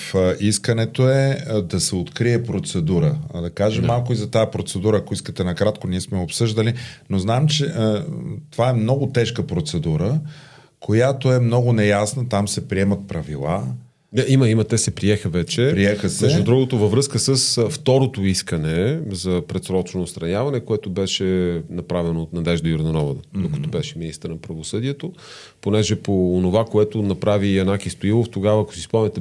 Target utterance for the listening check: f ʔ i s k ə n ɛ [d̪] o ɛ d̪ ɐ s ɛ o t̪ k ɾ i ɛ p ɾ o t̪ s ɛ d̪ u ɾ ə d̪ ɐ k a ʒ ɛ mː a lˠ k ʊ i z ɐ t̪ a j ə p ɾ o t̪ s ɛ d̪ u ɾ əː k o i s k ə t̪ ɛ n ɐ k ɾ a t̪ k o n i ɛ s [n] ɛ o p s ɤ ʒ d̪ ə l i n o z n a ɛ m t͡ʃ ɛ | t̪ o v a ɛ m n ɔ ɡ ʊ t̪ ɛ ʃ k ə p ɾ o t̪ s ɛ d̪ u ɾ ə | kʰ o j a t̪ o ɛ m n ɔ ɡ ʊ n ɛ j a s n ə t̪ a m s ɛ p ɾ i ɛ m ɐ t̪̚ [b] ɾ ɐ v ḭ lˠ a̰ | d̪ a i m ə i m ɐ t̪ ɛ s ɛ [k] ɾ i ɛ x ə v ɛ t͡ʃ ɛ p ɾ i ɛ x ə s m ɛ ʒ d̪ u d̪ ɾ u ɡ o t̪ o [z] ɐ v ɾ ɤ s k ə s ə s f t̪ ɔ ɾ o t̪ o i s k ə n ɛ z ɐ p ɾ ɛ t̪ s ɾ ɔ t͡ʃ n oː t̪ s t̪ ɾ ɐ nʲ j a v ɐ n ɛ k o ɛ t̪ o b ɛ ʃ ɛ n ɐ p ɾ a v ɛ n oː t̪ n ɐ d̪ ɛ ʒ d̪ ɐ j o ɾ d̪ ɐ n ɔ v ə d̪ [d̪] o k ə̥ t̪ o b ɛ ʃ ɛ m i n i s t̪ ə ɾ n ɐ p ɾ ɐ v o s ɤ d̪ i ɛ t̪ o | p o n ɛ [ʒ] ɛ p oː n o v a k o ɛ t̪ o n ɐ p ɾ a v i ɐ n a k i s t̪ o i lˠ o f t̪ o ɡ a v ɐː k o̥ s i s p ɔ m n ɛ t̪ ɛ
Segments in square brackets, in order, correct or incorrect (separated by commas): incorrect, incorrect, incorrect, incorrect, incorrect, correct, correct